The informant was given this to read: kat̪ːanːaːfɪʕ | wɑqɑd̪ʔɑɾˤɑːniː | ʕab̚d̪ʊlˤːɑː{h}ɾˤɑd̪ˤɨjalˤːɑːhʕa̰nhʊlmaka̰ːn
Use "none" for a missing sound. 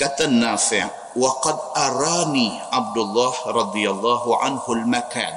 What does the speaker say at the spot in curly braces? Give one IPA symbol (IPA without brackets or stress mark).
h